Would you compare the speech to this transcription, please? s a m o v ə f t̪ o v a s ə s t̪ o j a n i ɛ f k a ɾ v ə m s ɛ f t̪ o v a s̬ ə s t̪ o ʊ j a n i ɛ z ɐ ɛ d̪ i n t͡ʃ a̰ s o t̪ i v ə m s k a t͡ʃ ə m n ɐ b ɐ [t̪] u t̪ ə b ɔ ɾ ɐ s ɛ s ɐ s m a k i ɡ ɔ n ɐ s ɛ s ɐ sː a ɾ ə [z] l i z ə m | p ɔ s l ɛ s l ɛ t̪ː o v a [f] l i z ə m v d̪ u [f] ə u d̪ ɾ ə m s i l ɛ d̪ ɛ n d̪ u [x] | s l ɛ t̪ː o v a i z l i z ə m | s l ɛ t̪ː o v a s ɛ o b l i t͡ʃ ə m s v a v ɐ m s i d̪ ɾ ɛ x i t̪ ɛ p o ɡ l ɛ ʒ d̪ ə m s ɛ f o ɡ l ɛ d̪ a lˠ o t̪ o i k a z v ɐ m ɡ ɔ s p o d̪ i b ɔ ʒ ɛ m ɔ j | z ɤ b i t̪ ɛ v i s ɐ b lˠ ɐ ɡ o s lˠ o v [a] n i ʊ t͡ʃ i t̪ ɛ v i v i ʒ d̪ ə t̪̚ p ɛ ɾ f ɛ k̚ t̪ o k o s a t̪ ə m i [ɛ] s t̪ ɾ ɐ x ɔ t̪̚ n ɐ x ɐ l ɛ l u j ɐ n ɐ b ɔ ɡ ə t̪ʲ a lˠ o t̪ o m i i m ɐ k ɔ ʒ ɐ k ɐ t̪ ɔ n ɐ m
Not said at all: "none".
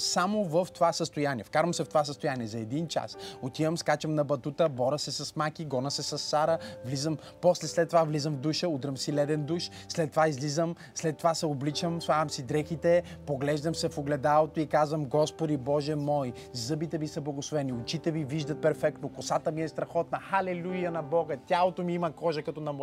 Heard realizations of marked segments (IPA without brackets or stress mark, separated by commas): t̪, v, v, ʃ, ʃ, ɛ, ɛ